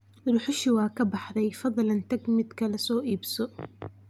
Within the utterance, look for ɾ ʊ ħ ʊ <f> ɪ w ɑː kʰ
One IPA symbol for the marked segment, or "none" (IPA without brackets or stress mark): ʃ